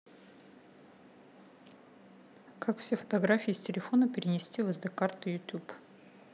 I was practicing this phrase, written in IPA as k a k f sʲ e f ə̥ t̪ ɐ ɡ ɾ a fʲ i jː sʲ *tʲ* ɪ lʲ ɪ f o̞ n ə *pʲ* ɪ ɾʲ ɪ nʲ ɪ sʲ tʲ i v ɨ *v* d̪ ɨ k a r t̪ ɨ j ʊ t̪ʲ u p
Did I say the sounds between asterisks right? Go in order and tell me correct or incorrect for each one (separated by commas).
correct, correct, incorrect